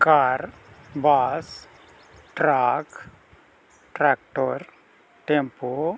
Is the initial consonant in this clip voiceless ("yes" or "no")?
yes